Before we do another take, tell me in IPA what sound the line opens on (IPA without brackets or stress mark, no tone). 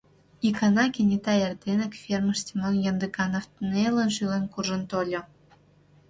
i